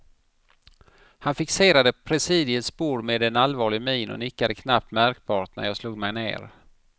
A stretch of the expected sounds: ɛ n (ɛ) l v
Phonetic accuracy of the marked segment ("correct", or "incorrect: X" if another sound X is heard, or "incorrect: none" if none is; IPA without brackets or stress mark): incorrect: a